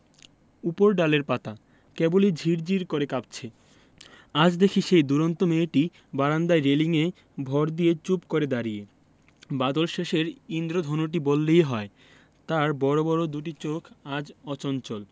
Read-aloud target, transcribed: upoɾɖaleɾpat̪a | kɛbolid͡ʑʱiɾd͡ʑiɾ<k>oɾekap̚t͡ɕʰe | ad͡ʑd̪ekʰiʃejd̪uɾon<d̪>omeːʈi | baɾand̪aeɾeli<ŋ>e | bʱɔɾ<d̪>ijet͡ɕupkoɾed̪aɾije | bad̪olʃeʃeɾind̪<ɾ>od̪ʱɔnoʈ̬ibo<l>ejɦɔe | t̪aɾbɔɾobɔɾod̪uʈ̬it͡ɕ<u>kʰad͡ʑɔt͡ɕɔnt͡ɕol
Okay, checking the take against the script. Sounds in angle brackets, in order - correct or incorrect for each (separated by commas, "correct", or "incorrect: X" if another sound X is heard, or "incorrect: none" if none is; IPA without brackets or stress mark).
correct, incorrect: t̪, correct, correct, correct, incorrect: lː, incorrect: o